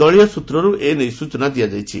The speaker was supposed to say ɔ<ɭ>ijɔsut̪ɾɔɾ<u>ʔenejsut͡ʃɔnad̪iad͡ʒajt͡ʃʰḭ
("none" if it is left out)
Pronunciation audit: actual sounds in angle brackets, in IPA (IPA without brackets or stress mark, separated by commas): ɭ, u